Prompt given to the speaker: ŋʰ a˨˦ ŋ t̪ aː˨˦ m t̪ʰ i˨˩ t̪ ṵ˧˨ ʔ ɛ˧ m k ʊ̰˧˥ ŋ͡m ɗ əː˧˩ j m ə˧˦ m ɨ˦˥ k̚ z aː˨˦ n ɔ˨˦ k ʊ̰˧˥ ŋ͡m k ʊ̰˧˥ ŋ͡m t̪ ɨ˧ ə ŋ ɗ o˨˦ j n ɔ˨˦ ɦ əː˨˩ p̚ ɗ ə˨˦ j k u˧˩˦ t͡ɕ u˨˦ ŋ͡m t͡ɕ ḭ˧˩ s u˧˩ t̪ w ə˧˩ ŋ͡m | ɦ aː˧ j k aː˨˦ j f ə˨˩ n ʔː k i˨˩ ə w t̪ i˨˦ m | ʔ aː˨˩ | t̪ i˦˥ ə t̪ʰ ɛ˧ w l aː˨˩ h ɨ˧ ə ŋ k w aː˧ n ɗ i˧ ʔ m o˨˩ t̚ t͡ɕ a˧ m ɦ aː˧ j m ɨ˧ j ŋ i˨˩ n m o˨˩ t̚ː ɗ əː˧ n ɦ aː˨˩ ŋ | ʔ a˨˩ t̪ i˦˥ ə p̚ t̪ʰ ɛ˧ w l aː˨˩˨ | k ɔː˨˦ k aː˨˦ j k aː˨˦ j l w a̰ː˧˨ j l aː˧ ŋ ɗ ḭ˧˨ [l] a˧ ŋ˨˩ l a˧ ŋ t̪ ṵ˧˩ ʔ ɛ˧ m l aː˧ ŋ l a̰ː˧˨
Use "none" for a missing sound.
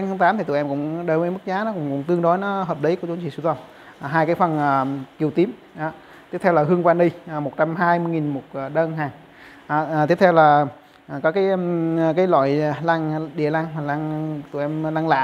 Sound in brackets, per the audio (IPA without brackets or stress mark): l